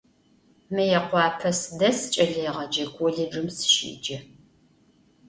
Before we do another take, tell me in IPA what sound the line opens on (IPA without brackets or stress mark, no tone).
m